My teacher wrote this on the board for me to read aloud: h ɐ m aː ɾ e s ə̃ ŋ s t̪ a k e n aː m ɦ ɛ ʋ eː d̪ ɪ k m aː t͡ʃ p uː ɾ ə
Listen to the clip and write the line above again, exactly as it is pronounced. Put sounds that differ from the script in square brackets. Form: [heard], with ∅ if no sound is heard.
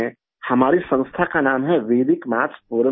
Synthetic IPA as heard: h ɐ m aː ɾ [i] s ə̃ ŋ s [t̪ʰ] a k [a] n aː m ɦ ɛ ʋ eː d̪ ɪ k m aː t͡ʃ p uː ɾ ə